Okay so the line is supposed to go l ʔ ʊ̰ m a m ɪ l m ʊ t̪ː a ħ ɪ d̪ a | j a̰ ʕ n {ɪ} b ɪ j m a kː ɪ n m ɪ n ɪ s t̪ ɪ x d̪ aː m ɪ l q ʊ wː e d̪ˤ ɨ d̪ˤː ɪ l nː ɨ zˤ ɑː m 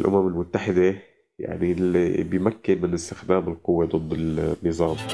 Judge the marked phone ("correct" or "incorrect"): incorrect